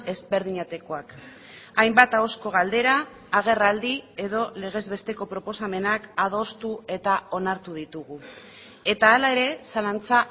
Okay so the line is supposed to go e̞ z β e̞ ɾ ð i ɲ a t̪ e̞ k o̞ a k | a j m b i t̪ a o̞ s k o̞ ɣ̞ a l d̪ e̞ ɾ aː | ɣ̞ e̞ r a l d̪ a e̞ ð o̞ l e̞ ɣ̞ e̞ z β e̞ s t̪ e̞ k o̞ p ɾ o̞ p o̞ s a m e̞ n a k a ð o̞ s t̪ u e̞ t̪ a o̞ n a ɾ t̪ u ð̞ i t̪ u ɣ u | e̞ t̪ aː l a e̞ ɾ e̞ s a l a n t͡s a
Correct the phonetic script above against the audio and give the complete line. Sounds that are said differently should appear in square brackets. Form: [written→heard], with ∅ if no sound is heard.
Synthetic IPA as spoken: e̞ z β e̞ ɾ ð i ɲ a t̪ e̞ k o̞ a k | a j m b [i→a] t̪ a o̞ s k o̞ ɣ̞ a l d̪ e̞ ɾ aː | ɣ̞ e̞ r a l d̪ [a→i] e̞ ð o̞ l e̞ ɣ̞ e̞ z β e̞ s t̪ e̞ k o̞ p ɾ o̞ p o̞ s a m e̞ n a k a ð o̞ s t̪ u e̞ t̪ a o̞ n a ɾ t̪ u ð̞ i t̪ u ɣ u | e̞ t̪ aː l a e̞ ɾ e̞ s a l a n t͡s a

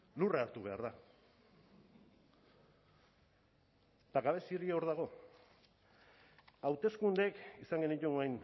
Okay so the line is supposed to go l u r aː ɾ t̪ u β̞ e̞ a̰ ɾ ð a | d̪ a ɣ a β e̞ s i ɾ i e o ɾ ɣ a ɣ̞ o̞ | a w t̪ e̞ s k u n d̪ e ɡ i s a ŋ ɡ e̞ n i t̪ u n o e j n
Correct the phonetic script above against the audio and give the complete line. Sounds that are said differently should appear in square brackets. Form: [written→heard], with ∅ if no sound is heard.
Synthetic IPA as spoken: l u r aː ɾ t̪ u β̞ e̞ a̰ ɾ ð a | [d̪→t̪] a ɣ a β e̞ s i ɾ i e o ɾ [ɣ→ð] a ɣ̞ o̞ | a w t̪ e̞ s k u n d̪ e [ɡ→k] i s a ŋ ɡ e̞ n i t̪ u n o [e→a] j n

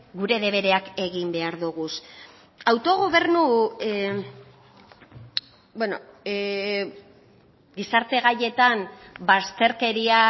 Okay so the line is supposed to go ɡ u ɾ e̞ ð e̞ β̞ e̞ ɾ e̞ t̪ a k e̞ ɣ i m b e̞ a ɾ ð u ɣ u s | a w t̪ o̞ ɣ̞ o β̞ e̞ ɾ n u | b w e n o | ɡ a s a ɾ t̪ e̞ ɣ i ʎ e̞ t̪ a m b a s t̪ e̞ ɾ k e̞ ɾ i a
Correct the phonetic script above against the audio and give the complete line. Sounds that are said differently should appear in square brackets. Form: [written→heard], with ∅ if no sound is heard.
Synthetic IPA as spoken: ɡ u ɾ e̞ ð e̞ β̞ e̞ ɾ e̞ [t̪→∅] a k e̞ ɣ i m b e̞ a ɾ ð u ɣ u s | a w t̪ o̞ ɣ̞ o β̞ e̞ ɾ n u | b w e n o | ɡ [a→i] s a ɾ t̪ e̞ ɣ [i→a] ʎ e̞ t̪ a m b a s t̪ e̞ ɾ k e̞ ɾ i a

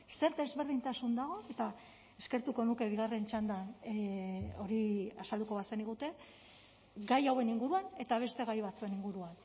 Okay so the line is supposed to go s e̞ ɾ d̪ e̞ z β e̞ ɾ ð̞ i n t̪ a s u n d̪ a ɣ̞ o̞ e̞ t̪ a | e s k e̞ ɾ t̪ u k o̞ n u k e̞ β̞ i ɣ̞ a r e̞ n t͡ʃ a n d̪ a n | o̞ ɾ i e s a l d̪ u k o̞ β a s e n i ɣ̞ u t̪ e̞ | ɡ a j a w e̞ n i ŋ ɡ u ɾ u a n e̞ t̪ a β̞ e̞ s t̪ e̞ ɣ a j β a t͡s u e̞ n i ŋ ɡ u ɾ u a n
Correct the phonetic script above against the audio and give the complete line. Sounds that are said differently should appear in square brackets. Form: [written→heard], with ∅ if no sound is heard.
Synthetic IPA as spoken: s e̞ ɾ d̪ e̞ z β e̞ ɾ ð̞ i n t̪ a s u n d̪ a ɣ̞ o̞ e̞ t̪ a | e s k e̞ ɾ t̪ u k o̞ n u k e̞ β̞ i ɣ̞ a r e̞ n t͡ʃ a n d̪ a n | o̞ ɾ i [e→a] s a l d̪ u k o̞ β a s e n i ɣ̞ u t̪ e̞ | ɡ a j a w e̞ n i ŋ ɡ u ɾ u a n e̞ t̪ a β̞ e̞ s t̪ e̞ ɣ a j β a t͡s u e̞ n i ŋ ɡ u ɾ u a n

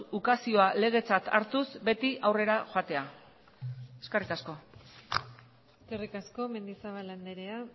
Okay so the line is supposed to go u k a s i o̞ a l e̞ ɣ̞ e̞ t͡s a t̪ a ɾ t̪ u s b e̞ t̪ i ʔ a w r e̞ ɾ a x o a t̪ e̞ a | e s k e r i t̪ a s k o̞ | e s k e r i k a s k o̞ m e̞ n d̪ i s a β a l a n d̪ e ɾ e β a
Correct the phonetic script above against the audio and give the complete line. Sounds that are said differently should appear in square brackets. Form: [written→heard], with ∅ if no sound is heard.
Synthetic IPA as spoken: u k a s i o̞ a l e̞ ɣ̞ e̞ t͡s a t̪ a ɾ t̪ u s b e̞ t̪ i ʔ a w r e̞ ɾ a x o a t̪ e̞ a | e s k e r i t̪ a s k o̞ | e s k e r i k a s k o̞ m e̞ n d̪ i s a β a l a n d̪ e ɾ e [β→∅] a

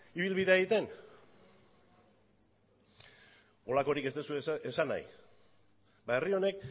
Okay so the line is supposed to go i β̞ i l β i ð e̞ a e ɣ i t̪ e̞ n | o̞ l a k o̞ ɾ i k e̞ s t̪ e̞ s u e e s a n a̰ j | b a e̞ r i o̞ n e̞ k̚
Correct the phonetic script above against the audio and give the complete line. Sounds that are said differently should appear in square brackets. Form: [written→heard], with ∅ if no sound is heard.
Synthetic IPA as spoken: i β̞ i l β i ð e̞ a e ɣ i t̪ e̞ n | o̞ l a k o̞ ɾ i k e̞ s t̪ e̞ s u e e s a n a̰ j | b a e̞ r i o̞ n e̞ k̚

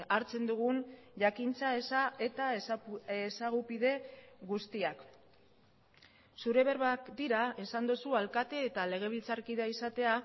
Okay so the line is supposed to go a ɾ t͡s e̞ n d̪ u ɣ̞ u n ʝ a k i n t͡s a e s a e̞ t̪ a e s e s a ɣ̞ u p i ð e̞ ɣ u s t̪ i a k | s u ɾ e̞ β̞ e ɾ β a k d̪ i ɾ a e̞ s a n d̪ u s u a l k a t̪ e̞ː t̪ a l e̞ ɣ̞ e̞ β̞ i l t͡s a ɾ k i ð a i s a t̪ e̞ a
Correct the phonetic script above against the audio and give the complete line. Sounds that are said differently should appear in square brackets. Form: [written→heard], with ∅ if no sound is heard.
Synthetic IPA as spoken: a ɾ t͡s e̞ n d̪ u ɣ̞ u n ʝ a k i n t͡s a e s a e̞ t̪ a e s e s a ɣ̞ u p i ð e̞ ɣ u s t̪ i a k | s u ɾ e̞ β̞ e ɾ β a k d̪ i ɾ a e̞ s a n d̪ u s u a l k a t̪ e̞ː t̪ a l e̞ ɣ̞ e̞ β̞ i l t͡s a ɾ k i ð a i s a t̪ e̞ a

